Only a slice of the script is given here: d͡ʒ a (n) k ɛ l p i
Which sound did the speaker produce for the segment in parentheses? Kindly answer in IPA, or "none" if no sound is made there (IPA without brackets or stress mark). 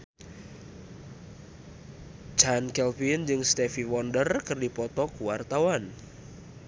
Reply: n